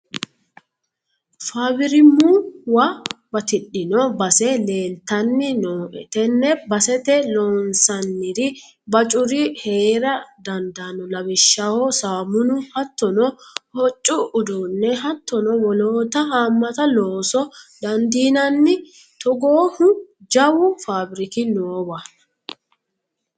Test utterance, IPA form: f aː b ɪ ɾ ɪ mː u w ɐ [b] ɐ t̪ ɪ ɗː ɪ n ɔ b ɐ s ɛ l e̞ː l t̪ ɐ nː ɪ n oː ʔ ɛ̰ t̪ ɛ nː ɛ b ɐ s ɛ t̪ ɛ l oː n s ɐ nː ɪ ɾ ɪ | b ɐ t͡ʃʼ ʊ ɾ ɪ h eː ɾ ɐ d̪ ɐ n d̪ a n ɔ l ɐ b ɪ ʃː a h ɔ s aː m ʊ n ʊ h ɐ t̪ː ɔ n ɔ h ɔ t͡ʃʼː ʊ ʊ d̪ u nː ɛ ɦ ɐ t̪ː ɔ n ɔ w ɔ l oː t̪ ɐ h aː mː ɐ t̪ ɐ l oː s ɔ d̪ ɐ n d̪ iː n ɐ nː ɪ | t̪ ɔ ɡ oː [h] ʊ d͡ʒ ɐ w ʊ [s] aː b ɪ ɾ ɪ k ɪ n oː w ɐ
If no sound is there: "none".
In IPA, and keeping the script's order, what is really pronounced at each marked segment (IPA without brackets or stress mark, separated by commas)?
b, h, f